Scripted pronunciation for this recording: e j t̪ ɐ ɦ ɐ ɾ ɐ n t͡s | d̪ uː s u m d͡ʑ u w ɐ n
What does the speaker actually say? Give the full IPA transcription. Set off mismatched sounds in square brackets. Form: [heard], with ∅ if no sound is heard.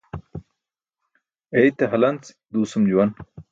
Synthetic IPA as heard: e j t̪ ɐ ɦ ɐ [l] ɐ n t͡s | d̪ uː s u m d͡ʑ u w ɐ n